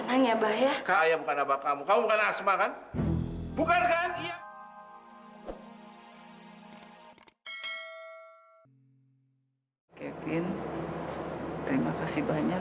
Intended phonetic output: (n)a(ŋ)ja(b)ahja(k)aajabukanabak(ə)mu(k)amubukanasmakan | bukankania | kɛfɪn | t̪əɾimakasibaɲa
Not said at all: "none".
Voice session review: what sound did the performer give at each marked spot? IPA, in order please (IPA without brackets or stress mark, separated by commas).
n, ŋ, b, k, a, k